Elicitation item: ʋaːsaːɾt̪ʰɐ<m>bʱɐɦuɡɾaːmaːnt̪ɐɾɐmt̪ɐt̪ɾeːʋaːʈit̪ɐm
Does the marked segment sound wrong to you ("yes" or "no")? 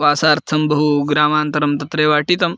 no